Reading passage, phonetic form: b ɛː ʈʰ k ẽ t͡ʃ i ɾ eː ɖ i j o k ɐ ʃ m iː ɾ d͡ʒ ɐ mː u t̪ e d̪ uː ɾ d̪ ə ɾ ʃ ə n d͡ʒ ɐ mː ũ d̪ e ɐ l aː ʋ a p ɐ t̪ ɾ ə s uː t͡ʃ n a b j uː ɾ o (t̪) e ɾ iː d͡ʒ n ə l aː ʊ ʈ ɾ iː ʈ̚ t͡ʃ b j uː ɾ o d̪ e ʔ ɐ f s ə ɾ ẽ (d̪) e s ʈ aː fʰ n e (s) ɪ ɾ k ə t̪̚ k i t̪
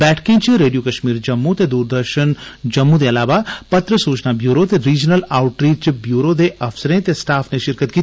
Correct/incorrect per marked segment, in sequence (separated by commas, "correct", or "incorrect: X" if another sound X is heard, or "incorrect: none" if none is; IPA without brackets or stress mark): correct, incorrect: t̪, incorrect: ʃ